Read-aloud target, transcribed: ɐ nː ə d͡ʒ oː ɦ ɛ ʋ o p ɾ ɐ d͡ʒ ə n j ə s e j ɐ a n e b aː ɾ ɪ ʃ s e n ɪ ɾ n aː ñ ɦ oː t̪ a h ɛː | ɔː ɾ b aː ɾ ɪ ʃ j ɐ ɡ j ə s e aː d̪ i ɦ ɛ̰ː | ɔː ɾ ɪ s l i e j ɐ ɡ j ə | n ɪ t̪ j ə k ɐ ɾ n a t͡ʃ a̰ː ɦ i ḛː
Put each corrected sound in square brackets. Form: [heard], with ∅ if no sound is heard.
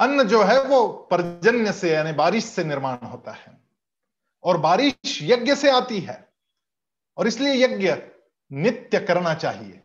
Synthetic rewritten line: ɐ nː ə d͡ʒ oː ɦ ɛ ʋ o p ɾ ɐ d͡ʒ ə n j ə s e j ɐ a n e b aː ɾ ɪ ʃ s e n ɪ ɾ [m] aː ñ ɦ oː t̪ a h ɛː | ɔː ɾ b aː ɾ ɪ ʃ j ɐ ɡ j ə s e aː [t̪] i ɦ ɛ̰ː | ɔː ɾ ɪ s l i e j ɐ ɡ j ə | n ɪ t̪ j ə k ɐ ɾ n a t͡ʃ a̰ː ɦ i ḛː